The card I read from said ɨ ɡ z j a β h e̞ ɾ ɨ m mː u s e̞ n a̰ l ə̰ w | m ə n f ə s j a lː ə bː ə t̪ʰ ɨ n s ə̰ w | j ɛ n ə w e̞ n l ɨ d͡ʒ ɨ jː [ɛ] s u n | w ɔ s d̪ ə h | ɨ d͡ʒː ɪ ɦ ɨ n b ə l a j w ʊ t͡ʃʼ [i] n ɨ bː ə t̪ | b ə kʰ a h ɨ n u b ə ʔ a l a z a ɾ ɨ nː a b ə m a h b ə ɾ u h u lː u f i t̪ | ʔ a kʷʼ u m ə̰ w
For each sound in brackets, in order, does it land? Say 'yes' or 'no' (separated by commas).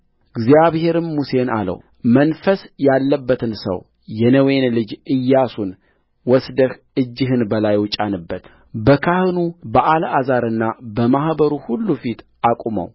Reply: no, no